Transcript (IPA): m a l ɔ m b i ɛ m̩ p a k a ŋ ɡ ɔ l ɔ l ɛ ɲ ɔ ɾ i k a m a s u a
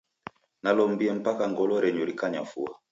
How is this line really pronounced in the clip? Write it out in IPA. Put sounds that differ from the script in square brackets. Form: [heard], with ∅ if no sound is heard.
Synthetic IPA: [n] a l ɔ m b i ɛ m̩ p a k a ŋ ɡ ɔ l ɔ [ɾ] ɛ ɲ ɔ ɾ i k a [ɲ] a [f] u a